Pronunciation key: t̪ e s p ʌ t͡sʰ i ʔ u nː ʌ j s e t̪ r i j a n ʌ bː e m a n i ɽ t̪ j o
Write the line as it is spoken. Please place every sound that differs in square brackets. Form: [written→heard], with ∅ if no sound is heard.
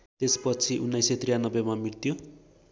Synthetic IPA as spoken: t̪ e s p ʌ t͡sʰ i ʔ u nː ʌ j s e t̪ r i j a n ʌ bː e m a [n→m] i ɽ t̪ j o